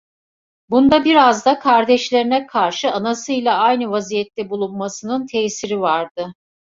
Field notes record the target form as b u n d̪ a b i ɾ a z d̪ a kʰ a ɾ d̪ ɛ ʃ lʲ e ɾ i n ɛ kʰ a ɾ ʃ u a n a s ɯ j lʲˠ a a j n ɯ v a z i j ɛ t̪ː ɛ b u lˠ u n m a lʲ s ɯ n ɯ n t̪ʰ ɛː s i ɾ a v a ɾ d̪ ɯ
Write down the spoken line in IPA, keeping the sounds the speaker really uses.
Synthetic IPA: b u n d̪ a b i ɾ a z d̪ a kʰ a ɾ d̪ ɛ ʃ lʲ e ɾ i n ɛ kʰ a ɾ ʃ ɯ a n a s ɯ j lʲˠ a a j n ɯ v a z i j ɛ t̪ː ɛ b u lˠ u n m a s ɯ n ɯ n t̪ʰ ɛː s i ɾ i v a ɾ d̪ ɯ